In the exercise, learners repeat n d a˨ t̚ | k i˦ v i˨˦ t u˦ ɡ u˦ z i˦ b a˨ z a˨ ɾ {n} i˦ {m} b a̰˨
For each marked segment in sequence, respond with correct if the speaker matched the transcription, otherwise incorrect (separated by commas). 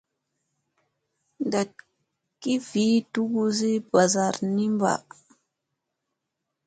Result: correct, correct